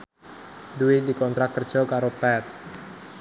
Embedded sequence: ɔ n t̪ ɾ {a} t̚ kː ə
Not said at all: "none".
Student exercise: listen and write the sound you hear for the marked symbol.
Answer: a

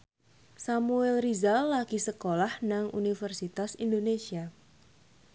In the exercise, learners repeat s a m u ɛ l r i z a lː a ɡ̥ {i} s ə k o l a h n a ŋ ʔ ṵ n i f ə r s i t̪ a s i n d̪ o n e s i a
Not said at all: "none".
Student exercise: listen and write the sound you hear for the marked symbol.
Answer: i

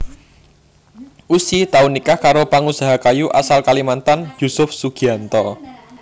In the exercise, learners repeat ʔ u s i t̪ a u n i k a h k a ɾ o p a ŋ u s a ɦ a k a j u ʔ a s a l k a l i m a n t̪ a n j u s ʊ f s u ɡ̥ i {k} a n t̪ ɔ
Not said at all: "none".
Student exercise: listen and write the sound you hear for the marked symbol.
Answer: none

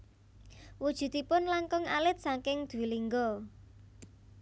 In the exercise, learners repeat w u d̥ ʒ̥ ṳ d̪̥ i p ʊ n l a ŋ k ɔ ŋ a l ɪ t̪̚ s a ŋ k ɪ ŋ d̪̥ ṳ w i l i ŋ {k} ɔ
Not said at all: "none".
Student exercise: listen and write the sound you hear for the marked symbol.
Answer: ɡ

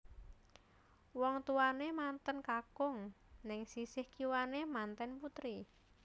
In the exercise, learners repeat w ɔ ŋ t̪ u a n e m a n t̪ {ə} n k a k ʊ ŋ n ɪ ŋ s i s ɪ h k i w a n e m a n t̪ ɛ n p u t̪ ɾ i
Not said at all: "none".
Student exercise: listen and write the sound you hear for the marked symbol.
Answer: ə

